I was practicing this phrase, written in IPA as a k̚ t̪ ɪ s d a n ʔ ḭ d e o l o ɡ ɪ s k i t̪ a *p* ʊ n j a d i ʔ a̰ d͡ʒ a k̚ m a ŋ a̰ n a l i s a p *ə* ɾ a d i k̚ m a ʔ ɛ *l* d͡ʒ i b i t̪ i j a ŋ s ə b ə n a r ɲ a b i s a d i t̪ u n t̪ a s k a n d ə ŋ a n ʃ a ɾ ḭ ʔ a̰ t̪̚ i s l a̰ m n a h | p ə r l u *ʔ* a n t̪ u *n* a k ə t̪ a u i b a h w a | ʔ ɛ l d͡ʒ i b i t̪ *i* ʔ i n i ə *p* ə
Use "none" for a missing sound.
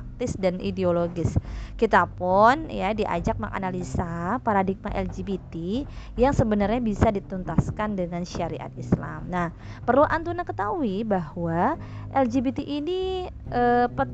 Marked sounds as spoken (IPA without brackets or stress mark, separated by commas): p, a, l, ʔ, n, i, p